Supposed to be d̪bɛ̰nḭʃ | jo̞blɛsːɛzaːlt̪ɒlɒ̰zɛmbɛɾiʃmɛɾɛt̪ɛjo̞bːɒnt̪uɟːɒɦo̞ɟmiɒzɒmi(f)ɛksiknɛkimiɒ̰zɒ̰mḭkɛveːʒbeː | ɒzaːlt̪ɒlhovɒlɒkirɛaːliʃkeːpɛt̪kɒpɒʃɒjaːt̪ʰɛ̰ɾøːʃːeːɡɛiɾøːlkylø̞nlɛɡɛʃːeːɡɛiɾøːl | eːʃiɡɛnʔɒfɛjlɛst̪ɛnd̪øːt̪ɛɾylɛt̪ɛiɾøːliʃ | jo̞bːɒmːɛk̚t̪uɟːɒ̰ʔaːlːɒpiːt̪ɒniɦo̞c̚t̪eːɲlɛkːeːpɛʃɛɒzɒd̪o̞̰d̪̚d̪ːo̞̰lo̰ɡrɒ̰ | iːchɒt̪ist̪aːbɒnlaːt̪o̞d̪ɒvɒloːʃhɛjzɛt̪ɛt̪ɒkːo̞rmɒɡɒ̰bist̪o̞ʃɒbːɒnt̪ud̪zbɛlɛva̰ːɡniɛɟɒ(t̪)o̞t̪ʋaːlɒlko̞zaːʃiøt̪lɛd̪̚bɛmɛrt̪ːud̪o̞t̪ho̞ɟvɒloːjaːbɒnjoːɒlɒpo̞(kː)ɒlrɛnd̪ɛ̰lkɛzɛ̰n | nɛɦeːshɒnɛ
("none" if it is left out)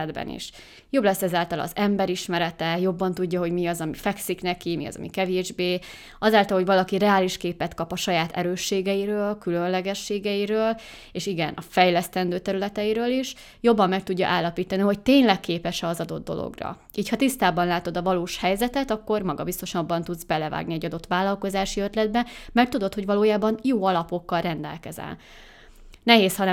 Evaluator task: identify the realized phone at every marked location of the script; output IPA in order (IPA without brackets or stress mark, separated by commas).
f, d̪, kː